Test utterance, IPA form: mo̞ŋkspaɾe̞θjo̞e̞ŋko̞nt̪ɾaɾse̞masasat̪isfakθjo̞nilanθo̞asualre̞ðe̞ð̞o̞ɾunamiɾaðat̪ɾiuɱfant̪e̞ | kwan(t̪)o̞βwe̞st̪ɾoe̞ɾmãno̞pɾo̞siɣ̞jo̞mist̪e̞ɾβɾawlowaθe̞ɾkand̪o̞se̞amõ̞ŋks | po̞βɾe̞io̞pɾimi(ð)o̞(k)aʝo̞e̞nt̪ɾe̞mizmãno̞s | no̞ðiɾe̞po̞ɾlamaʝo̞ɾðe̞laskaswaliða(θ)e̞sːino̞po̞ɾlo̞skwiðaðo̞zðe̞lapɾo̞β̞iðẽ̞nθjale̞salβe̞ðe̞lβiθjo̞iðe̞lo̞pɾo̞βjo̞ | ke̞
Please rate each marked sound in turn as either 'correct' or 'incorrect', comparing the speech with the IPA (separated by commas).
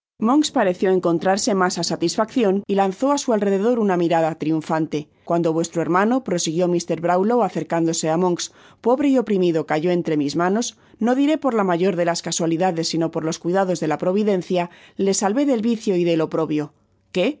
incorrect, correct, correct, incorrect